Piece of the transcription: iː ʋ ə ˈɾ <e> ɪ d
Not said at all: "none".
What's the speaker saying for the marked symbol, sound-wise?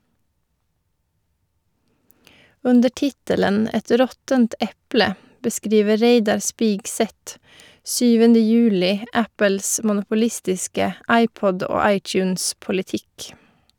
e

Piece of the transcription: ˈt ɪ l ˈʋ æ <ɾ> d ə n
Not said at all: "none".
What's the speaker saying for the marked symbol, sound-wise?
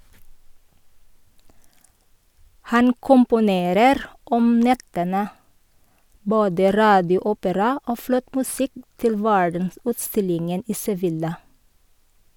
ɹ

